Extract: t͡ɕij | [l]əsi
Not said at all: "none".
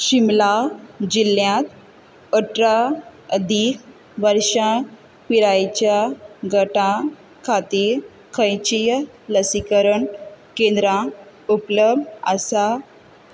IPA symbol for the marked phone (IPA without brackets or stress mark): l